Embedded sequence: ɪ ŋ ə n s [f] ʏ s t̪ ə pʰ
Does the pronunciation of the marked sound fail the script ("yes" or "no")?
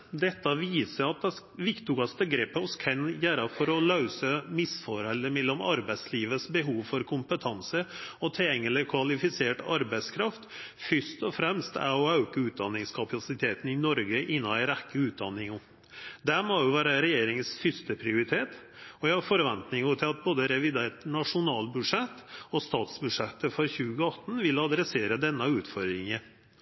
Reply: no